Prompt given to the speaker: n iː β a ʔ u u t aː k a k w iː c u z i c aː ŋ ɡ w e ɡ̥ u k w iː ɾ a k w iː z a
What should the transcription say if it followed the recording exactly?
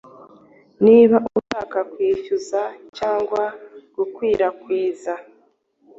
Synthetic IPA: n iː β a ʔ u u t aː k a k w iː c u z a c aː ŋ ɡ w a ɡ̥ u k w iː ɾ a k w iː z a